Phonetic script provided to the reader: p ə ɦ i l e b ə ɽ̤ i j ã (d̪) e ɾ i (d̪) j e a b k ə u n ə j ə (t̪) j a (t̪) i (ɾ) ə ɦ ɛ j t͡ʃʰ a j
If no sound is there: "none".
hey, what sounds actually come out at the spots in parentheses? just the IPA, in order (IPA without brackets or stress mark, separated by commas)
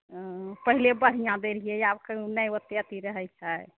d̪, none, t̪, t̪, ɾ